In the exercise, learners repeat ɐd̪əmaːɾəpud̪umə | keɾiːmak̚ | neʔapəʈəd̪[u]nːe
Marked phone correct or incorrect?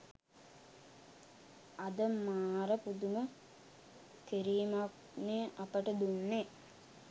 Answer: correct